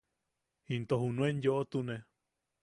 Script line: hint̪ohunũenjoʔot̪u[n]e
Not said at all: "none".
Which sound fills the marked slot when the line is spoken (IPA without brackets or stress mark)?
n